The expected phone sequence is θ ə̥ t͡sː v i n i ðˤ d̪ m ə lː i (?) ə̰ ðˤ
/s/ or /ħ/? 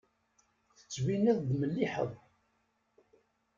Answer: ħ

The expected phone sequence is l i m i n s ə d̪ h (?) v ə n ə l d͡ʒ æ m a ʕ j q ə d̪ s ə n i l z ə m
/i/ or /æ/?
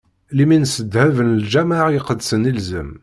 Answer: æ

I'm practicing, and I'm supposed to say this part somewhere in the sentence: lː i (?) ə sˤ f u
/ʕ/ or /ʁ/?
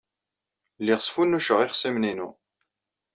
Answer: ʁ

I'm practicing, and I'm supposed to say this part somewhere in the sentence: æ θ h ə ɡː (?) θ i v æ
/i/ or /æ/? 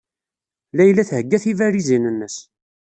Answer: æ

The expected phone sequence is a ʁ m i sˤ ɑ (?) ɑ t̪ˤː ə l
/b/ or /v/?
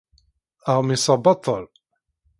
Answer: b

